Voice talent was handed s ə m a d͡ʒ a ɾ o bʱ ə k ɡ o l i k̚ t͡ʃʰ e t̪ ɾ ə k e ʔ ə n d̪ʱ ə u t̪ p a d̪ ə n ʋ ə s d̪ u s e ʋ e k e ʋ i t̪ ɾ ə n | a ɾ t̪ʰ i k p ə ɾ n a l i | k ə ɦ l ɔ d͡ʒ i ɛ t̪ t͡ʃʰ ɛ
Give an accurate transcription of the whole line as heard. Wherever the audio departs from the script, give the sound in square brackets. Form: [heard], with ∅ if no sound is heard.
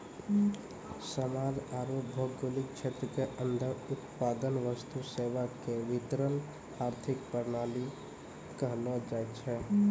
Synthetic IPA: s ə m a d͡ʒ a ɾ o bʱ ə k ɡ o l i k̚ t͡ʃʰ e t̪ ɾ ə k e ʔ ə n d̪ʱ ə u t̪ p a d̪ ə n ʋ ə s [t̪] u s e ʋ [a] k e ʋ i t̪ ɾ ə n | a ɾ t̪ʰ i k p ə ɾ n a l i | k ə ɦ l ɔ d͡ʒ [a] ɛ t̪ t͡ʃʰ ɛ